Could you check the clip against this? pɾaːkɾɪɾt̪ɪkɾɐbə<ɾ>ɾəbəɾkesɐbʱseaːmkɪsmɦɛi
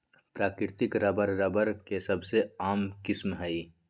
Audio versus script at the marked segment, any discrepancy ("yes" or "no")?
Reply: no